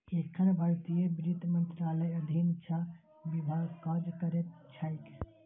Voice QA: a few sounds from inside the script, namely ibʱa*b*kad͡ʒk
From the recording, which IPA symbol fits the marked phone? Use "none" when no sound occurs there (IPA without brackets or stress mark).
ɡ